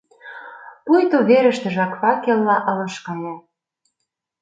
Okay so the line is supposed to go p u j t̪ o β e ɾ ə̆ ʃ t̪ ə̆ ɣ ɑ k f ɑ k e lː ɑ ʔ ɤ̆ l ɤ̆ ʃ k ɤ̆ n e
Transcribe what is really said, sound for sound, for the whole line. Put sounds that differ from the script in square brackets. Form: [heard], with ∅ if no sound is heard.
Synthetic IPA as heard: p u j t̪ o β e ɾ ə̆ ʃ t̪ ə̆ [ʒ] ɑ k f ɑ k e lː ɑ ʔ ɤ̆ l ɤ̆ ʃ k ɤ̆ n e